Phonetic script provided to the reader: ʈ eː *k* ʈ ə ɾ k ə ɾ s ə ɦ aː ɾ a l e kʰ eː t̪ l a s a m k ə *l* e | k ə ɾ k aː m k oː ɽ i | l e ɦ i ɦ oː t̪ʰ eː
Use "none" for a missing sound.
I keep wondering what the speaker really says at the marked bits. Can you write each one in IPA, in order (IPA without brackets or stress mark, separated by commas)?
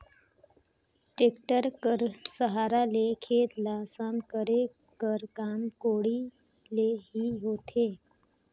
k, ɾ